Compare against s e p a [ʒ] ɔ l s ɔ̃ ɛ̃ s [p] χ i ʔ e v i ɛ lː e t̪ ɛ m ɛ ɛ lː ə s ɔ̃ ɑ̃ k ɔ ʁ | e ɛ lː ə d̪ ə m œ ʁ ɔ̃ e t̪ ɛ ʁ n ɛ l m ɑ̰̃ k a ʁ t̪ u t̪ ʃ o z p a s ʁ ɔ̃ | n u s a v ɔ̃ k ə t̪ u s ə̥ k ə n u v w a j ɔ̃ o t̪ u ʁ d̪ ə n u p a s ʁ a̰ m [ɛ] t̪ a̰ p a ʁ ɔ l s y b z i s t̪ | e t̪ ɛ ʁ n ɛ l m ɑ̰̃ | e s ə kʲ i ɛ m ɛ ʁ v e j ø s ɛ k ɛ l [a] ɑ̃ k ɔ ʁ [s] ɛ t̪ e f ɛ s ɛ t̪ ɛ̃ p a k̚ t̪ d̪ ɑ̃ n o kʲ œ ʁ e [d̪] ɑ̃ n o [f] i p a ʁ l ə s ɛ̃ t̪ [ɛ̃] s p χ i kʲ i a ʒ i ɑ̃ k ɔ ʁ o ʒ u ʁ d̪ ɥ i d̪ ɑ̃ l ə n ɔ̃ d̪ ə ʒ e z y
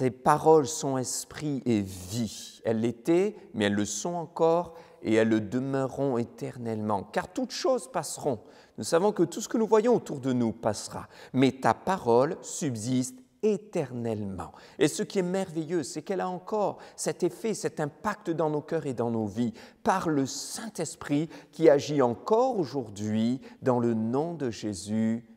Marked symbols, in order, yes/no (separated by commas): no, yes, yes, yes, yes, yes, no, no